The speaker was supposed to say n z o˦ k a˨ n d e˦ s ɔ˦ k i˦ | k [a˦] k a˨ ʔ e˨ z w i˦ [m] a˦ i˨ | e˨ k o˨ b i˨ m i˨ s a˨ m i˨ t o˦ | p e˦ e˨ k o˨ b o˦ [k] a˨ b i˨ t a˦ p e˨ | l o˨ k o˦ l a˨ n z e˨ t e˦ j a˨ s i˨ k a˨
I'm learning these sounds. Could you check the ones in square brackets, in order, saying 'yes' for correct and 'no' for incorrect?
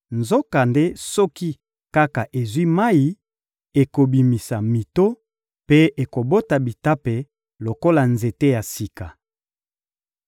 yes, yes, no

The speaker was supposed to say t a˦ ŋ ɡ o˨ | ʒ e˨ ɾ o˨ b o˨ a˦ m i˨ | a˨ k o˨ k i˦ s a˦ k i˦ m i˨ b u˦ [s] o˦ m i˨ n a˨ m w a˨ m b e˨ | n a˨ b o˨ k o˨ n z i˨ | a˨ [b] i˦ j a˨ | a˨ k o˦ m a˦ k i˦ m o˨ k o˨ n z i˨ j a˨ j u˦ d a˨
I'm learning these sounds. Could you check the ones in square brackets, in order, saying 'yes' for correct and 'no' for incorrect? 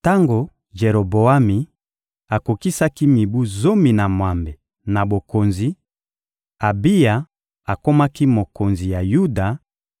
no, yes

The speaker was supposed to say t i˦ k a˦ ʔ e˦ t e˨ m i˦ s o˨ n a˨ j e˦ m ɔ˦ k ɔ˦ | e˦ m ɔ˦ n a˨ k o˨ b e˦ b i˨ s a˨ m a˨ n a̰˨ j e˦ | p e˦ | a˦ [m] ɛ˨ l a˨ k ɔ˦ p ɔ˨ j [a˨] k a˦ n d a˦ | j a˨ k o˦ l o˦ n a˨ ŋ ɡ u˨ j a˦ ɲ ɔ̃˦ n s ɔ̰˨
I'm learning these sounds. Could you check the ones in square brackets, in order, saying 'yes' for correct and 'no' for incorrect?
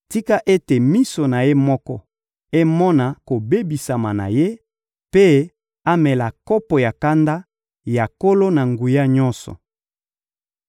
yes, yes

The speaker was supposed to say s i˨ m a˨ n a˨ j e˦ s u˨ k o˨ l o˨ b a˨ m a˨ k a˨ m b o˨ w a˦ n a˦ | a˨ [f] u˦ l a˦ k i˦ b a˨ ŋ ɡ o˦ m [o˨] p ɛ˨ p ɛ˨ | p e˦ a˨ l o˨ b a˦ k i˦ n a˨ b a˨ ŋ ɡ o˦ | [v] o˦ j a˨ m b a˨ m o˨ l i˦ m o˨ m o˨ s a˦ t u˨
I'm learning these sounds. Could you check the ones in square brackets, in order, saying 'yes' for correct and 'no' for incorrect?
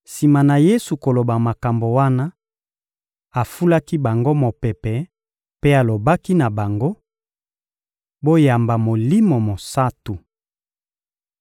yes, yes, no

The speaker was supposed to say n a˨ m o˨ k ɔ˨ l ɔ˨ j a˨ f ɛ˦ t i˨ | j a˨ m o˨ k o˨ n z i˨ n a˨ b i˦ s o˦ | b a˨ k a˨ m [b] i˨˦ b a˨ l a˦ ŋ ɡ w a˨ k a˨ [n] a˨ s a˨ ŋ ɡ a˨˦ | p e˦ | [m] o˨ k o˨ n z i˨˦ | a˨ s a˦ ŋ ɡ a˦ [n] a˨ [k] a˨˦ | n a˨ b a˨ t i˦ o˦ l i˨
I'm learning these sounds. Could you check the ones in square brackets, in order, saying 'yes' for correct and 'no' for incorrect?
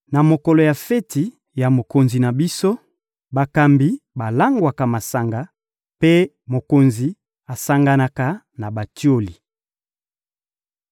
yes, no, yes, yes, yes

